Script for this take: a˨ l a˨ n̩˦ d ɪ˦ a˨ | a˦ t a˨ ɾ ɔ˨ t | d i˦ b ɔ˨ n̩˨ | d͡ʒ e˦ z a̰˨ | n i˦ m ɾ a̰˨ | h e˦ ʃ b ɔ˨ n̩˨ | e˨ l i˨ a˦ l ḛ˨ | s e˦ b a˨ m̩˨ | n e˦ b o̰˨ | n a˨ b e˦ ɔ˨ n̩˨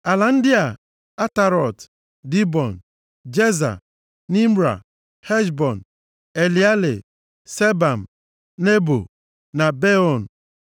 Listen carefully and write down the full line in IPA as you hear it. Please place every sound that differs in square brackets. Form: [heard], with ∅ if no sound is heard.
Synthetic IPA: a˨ l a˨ n̩˦ d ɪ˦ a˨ | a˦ t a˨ ɾ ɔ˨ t | d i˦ b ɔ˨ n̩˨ | d͡ʒ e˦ z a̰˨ | n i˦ m ɾ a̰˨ | h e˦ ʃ b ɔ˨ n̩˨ | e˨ l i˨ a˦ l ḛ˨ | s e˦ b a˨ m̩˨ | n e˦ b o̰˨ | n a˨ b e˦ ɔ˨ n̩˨